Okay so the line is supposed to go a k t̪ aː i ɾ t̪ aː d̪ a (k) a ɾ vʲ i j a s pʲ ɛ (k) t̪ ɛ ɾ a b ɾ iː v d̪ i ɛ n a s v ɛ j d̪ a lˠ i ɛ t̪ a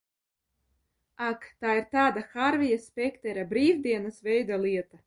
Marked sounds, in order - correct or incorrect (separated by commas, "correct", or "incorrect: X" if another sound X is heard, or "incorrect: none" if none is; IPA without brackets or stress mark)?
incorrect: x, correct